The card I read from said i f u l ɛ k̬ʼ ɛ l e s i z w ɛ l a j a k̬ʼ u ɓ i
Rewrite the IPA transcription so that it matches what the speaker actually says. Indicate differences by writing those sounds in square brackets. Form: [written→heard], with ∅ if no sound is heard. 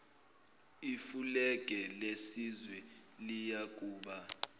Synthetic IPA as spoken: i f u l ɛ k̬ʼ ɛ l e s i z w ɛ l [a→i] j a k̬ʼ [u→uː] ɓ [i→a]